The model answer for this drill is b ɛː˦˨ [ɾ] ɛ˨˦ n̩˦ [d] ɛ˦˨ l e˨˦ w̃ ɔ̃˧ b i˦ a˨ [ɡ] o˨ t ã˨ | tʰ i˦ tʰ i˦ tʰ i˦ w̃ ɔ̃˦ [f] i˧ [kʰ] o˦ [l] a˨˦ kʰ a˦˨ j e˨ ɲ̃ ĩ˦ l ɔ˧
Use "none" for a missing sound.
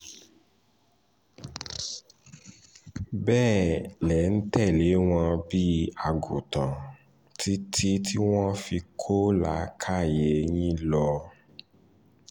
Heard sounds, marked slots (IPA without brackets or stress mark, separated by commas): l, t, ɡ, f, kʰ, l